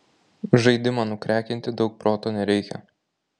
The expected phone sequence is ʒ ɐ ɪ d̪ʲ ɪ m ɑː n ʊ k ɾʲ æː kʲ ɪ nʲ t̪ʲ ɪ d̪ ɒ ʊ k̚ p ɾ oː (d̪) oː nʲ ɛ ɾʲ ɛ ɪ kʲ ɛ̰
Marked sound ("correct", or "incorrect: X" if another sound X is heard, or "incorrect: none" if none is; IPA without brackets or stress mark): incorrect: t̪